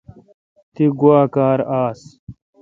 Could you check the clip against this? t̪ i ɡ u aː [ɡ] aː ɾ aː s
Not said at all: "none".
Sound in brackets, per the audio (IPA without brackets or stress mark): k